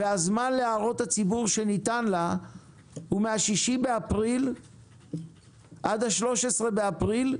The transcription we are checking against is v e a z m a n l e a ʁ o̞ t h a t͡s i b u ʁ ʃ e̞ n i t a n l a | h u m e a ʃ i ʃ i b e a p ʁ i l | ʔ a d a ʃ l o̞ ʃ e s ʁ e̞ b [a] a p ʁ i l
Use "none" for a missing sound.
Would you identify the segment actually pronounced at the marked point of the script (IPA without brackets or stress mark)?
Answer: e